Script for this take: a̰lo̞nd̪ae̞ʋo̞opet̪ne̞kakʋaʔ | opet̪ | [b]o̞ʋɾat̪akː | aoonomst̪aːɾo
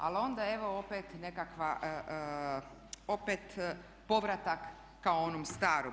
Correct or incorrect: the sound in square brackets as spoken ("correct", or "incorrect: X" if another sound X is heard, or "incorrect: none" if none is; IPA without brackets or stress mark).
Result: incorrect: p